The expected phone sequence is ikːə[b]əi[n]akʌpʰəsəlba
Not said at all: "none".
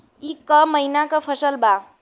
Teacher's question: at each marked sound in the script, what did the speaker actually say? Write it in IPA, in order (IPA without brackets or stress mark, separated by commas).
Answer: m, n